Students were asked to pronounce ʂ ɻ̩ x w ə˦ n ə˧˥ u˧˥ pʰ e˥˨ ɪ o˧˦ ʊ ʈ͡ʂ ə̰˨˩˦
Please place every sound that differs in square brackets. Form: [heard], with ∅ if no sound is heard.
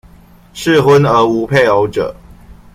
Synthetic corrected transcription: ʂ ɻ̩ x w ə˦ n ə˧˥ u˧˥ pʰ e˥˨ ɪ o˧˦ ʊ ʈ͡ʂ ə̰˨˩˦